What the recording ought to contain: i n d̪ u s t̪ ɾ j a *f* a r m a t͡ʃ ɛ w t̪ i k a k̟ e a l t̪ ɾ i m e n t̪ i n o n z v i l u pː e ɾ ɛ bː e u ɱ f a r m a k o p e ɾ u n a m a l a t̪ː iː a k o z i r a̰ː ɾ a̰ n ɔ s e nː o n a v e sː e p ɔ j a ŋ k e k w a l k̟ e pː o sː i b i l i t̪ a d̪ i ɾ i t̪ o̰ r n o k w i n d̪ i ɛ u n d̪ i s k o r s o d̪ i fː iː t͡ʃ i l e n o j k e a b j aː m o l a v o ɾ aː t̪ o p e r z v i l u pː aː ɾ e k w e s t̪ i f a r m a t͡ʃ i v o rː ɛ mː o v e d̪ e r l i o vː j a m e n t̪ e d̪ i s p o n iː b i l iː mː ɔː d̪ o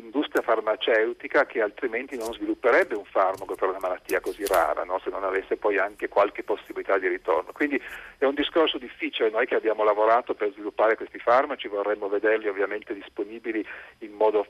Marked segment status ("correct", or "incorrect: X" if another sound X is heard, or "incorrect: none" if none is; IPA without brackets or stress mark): correct